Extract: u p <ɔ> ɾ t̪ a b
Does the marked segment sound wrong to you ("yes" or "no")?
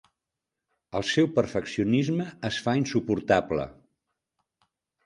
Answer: yes